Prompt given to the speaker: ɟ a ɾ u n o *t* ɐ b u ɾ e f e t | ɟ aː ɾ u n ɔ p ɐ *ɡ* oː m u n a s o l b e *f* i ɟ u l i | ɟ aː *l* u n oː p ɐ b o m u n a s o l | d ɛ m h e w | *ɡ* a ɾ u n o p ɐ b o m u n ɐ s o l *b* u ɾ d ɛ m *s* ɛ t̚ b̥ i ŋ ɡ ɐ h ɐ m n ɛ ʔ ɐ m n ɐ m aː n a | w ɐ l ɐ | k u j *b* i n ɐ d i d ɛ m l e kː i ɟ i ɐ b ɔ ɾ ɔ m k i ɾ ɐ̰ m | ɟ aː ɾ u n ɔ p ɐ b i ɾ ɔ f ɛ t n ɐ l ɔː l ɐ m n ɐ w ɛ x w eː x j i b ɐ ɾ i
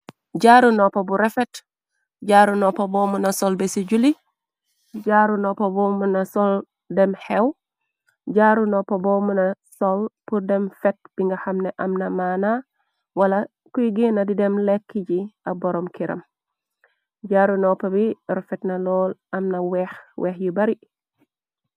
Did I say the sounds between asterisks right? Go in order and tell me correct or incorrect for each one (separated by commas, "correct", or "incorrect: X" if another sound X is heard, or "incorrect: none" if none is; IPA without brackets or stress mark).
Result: incorrect: p, incorrect: b, incorrect: s, incorrect: ɾ, incorrect: ɟ, incorrect: p, incorrect: f, incorrect: ɡ